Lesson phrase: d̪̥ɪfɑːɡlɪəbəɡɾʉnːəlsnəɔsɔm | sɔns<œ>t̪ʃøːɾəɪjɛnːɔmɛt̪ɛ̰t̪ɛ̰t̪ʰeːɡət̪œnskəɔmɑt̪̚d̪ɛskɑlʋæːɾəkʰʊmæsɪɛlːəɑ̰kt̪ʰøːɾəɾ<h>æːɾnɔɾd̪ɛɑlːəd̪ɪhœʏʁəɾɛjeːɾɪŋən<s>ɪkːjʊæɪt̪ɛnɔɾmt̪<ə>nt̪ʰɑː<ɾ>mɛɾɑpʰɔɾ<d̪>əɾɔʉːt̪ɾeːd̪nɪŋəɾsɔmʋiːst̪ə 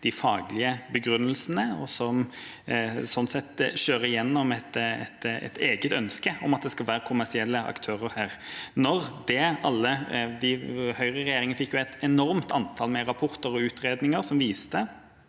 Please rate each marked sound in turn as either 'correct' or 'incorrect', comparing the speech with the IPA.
incorrect, correct, incorrect, incorrect, incorrect, incorrect

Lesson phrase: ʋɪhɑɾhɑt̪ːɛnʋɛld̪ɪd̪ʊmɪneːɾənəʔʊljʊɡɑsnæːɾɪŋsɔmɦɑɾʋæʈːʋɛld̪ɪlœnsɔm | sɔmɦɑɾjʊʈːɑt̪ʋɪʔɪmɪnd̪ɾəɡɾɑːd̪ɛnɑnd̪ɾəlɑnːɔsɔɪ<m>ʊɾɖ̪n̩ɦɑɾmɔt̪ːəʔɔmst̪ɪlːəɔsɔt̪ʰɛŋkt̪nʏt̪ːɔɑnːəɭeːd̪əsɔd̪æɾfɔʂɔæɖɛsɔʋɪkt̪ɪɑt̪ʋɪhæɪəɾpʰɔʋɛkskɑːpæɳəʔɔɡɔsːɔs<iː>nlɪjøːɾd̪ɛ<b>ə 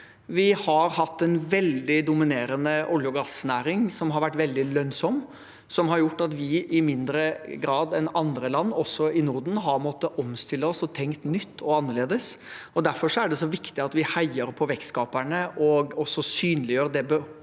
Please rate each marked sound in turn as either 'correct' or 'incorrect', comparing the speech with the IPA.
incorrect, incorrect, correct

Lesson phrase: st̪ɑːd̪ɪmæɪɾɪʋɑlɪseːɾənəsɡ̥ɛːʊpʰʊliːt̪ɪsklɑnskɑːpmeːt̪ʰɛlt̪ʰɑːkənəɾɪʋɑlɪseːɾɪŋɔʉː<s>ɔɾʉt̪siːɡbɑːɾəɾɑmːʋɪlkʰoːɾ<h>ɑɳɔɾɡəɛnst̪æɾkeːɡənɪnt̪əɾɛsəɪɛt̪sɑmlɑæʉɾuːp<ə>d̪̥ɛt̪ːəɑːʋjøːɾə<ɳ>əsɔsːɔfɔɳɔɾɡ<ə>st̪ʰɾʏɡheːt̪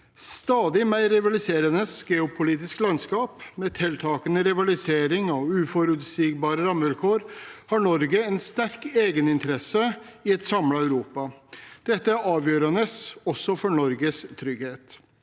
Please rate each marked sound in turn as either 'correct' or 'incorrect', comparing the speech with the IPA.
incorrect, correct, incorrect, incorrect, correct

